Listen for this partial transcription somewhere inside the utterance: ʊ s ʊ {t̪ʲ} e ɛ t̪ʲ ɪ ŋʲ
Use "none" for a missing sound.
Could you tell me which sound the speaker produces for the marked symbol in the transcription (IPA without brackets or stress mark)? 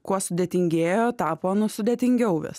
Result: d̪ʲ